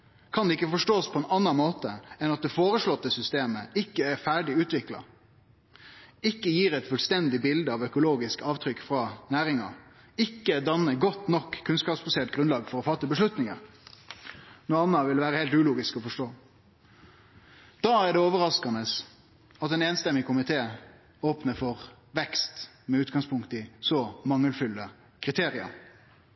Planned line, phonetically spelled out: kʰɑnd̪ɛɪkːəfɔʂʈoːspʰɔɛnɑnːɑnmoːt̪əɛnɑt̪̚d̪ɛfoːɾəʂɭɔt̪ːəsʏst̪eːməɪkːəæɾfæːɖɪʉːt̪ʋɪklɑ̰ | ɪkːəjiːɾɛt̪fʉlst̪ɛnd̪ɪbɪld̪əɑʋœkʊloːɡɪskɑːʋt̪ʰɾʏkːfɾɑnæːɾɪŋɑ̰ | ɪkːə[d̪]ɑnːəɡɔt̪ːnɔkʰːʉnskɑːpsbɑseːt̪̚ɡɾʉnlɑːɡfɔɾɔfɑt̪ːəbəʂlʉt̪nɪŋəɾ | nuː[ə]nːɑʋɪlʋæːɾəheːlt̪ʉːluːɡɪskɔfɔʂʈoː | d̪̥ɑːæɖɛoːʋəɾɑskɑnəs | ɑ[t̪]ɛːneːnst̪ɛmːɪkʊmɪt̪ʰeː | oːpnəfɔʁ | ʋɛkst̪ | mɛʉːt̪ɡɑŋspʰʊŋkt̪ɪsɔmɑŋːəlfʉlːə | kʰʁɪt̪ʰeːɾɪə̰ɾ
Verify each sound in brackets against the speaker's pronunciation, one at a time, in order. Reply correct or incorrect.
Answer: correct, incorrect: ɑ, correct

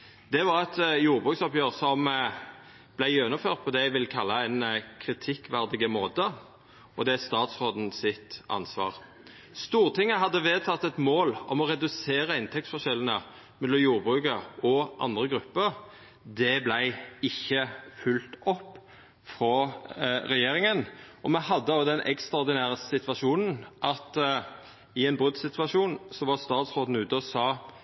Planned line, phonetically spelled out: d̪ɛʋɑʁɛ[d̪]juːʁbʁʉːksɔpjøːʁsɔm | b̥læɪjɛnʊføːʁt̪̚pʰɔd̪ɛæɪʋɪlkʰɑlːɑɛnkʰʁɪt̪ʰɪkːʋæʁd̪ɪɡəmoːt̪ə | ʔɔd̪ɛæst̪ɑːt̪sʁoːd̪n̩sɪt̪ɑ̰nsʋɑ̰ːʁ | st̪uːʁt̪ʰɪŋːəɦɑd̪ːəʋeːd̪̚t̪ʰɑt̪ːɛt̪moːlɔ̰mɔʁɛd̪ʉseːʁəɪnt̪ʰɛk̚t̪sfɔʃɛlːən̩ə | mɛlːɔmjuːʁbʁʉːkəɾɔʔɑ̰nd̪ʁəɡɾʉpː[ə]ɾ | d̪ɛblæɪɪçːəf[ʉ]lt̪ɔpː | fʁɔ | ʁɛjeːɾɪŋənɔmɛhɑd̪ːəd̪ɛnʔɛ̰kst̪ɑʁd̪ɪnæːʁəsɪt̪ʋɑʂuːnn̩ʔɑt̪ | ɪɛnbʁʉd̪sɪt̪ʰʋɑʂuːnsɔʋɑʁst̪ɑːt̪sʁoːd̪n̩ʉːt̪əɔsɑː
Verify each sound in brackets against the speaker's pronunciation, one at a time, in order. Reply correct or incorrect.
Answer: incorrect: t̪, correct, correct

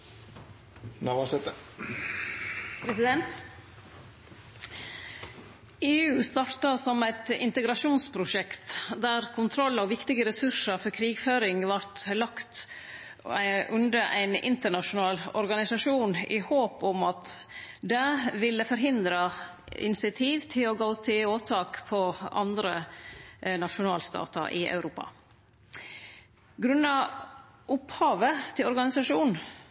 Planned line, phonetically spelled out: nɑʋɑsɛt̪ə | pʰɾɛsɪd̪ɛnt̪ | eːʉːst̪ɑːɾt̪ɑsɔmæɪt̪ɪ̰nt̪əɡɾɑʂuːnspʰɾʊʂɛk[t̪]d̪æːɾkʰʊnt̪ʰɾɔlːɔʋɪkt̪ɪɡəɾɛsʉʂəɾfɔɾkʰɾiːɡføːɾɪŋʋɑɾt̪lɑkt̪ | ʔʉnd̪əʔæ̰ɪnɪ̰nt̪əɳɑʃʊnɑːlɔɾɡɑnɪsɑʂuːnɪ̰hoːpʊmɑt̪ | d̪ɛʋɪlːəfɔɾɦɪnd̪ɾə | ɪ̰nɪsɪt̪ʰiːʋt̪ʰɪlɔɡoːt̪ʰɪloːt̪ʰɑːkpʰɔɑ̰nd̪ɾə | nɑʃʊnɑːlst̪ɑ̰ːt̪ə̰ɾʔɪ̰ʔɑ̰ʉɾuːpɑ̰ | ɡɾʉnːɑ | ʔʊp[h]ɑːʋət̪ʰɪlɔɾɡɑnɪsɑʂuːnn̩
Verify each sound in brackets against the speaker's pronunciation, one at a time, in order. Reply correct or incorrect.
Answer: correct, correct

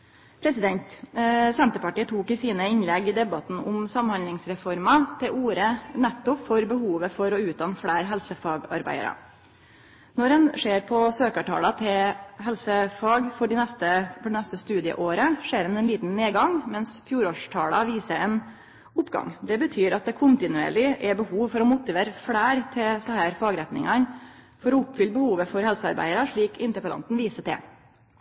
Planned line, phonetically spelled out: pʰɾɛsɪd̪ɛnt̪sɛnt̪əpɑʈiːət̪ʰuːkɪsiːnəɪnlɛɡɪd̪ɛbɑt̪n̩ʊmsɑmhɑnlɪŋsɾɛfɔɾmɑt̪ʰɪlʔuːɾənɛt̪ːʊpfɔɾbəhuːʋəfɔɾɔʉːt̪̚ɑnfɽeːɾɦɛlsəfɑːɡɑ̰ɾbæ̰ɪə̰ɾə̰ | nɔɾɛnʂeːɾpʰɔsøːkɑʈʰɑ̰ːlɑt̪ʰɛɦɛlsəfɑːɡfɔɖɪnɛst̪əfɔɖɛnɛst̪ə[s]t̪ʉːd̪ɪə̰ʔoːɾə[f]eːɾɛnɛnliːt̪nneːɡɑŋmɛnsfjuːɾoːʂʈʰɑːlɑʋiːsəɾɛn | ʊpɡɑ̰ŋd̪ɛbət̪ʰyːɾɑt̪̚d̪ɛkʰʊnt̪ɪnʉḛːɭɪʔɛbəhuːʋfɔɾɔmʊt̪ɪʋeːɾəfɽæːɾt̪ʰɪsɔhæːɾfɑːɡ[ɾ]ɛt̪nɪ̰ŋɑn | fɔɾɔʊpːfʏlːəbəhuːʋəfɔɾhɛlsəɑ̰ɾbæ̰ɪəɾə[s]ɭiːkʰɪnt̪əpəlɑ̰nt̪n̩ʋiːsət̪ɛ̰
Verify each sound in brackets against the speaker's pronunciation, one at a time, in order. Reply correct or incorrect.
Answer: correct, incorrect: ʂ, correct, incorrect: ʂ

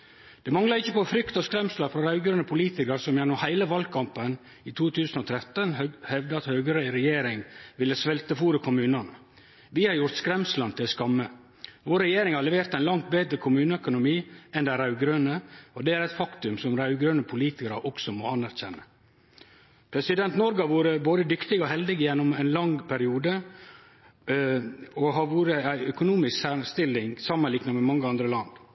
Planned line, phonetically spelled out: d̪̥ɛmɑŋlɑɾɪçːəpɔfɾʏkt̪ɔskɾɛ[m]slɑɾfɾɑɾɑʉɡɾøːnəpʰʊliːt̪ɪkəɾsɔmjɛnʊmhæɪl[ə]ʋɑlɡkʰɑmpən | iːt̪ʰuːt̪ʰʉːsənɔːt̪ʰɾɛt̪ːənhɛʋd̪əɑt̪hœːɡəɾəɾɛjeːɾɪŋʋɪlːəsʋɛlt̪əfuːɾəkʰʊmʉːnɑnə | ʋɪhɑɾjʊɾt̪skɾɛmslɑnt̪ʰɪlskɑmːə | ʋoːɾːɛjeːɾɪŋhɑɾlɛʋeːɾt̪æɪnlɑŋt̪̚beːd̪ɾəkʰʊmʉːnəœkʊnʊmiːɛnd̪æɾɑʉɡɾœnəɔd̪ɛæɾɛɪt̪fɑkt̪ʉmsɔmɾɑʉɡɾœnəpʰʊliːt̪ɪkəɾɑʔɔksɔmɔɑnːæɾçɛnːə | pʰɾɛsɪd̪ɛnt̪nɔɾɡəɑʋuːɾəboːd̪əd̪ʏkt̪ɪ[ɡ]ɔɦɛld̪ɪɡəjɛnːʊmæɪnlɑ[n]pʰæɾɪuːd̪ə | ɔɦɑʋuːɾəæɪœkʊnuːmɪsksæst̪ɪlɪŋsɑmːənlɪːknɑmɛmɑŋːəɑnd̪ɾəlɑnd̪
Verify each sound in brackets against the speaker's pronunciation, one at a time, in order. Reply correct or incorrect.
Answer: correct, correct, correct, incorrect: ŋ

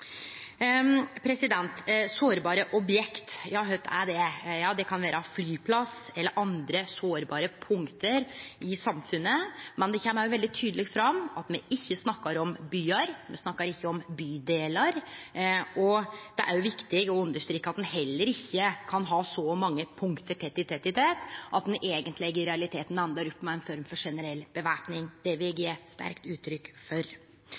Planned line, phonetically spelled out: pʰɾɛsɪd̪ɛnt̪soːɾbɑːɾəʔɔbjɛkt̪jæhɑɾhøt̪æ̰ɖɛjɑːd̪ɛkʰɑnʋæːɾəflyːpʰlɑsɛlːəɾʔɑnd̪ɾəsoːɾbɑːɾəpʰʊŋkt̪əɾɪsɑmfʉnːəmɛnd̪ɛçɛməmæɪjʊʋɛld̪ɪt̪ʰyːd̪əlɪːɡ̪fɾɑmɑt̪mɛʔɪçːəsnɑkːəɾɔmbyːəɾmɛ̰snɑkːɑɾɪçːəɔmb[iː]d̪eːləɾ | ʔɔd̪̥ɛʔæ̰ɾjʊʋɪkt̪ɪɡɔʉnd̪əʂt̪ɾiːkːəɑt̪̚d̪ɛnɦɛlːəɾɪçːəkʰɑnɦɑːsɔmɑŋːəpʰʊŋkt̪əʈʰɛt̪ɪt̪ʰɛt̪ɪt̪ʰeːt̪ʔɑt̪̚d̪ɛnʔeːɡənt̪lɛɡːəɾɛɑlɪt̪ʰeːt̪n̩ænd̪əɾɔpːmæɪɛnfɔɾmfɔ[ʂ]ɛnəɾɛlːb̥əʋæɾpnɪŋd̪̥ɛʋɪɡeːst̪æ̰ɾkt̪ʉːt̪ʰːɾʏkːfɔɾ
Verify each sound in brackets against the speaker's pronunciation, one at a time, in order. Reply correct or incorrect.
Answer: incorrect: yː, correct

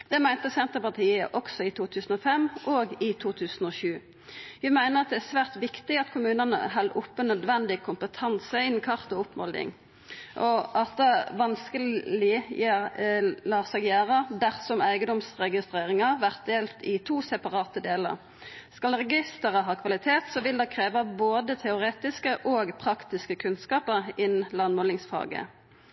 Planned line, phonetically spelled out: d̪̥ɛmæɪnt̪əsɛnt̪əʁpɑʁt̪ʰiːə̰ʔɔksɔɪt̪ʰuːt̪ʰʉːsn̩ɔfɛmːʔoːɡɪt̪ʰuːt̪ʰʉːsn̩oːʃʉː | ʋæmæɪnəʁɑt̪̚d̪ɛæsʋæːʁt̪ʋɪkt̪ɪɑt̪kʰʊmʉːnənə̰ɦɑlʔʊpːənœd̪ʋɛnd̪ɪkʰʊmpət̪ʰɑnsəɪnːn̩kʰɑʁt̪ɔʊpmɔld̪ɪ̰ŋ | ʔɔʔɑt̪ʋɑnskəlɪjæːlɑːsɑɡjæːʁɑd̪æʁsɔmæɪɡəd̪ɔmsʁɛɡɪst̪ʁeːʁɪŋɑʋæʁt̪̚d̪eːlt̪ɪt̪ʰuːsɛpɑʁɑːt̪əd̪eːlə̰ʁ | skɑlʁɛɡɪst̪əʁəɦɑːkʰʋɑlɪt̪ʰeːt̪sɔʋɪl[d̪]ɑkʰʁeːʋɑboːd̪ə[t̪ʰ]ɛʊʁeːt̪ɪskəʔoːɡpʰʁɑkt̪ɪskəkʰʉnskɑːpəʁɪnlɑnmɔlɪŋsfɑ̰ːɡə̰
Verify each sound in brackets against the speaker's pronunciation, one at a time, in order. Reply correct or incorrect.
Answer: correct, correct

